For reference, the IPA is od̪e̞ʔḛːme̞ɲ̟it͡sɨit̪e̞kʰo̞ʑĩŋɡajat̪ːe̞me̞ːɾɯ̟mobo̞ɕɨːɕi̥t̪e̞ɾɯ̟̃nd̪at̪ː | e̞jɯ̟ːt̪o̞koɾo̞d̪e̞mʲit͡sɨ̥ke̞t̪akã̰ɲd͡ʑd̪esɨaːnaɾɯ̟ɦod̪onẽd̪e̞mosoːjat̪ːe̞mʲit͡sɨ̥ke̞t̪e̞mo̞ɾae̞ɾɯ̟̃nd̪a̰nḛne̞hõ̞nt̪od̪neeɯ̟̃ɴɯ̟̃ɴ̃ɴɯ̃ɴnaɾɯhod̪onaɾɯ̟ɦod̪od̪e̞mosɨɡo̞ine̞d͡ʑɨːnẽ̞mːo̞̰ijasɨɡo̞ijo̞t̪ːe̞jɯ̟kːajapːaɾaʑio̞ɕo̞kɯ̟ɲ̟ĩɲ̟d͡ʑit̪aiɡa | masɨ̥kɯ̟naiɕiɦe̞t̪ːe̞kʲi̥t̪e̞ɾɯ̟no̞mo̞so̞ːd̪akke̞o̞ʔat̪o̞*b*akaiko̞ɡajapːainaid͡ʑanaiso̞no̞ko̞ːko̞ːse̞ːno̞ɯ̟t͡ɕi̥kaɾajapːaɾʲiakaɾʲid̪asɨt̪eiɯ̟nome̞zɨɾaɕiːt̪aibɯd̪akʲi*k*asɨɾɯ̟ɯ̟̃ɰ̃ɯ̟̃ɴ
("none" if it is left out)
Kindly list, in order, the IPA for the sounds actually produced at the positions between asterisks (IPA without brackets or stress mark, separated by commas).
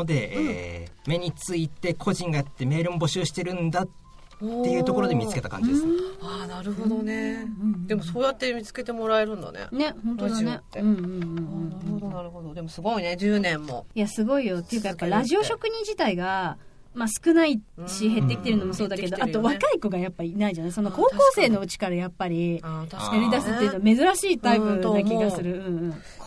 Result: β, ɡ